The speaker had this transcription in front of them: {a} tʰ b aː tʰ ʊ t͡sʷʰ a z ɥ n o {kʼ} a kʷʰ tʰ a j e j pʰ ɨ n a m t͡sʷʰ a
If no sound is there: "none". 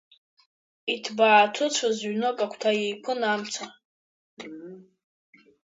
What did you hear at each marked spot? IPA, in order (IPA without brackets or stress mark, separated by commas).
i, kʼ